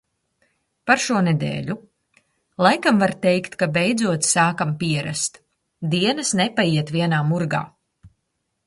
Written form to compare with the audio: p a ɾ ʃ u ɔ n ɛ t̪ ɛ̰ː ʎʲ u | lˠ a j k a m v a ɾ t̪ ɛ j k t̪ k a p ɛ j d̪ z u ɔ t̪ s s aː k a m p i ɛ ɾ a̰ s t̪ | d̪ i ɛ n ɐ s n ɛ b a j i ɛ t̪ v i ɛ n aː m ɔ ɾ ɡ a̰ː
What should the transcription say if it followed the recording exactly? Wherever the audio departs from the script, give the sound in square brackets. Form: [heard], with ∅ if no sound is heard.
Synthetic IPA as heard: p a ɾ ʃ u ɔ n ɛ [d̪] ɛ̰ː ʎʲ u | lˠ a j k a m v a ɾ t̪ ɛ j k t̪ k a [b] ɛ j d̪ z u ɔ t̪ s s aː k a m p i ɛ ɾ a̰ s t̪ | d̪ i ɛ n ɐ s n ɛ [p] a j i ɛ t̪ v i ɛ n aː m [u] ɾ ɡ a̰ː